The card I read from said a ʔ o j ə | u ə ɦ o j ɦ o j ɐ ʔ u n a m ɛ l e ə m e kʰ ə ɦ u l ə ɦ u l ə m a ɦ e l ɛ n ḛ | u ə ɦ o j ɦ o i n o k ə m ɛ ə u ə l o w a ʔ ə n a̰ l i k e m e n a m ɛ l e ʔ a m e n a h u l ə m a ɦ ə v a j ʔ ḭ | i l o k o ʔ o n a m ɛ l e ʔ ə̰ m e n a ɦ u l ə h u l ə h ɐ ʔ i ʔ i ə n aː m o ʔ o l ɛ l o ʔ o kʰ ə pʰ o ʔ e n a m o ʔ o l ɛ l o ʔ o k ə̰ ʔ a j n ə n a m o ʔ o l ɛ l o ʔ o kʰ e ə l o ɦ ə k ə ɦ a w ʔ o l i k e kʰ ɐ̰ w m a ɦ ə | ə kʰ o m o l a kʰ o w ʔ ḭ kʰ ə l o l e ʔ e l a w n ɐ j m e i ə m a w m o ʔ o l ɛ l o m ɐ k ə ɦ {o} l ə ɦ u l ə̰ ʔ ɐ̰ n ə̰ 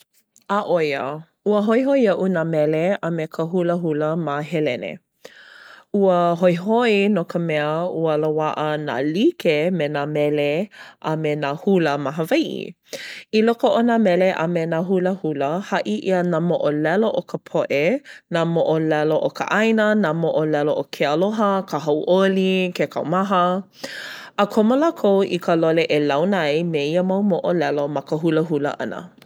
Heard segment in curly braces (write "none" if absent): u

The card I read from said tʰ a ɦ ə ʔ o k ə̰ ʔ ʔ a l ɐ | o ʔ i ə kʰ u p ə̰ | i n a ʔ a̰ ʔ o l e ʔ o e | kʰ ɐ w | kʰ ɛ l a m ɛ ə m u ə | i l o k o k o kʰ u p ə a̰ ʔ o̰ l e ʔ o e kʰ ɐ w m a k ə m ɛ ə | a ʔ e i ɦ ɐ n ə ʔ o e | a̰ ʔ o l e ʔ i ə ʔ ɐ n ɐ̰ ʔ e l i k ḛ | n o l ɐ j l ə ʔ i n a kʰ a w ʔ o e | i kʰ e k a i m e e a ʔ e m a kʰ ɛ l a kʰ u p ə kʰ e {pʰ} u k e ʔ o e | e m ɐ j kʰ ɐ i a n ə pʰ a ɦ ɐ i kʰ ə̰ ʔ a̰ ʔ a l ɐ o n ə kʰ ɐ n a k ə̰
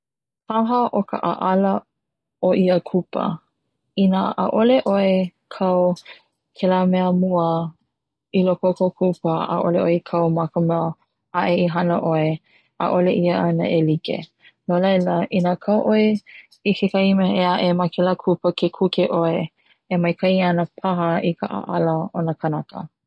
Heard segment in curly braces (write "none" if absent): kʰ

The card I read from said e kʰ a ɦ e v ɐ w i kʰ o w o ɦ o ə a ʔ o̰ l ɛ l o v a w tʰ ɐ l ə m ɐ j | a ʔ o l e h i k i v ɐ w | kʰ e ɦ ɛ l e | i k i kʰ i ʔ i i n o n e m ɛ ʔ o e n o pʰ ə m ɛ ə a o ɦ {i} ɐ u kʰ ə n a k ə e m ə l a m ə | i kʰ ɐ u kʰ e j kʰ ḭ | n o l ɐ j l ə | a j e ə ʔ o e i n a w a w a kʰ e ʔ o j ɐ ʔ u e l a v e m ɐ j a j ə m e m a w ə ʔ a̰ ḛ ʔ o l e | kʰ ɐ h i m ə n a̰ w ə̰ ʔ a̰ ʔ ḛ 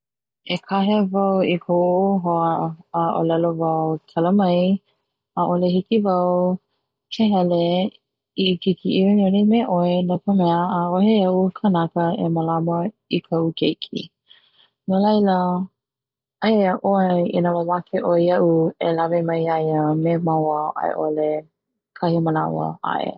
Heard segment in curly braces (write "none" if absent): e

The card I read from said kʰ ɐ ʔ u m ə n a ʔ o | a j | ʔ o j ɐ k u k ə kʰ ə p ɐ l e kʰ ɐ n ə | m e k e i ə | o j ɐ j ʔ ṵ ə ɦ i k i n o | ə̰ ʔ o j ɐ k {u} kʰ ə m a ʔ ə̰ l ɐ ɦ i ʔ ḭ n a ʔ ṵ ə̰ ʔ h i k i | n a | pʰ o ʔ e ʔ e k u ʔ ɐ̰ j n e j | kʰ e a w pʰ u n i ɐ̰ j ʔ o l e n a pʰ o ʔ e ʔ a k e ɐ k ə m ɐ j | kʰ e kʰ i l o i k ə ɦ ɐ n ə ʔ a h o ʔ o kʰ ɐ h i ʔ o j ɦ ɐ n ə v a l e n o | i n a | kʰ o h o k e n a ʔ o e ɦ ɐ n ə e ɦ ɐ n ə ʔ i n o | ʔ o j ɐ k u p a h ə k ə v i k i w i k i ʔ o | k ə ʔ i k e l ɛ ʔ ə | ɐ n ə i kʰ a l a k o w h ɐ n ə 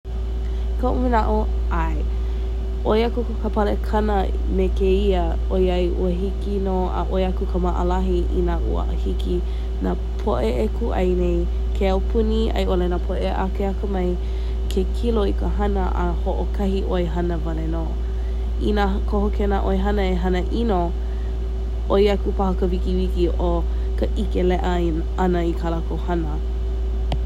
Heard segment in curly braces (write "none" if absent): u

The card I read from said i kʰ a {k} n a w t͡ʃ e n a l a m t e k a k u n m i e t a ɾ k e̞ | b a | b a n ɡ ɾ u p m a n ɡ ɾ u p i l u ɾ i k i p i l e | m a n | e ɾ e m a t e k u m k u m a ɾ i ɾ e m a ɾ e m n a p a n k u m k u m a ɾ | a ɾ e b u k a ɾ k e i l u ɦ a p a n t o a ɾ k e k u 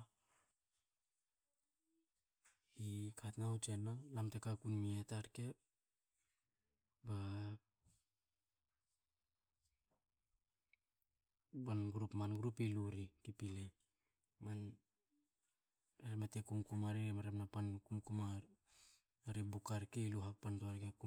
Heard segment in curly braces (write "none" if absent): t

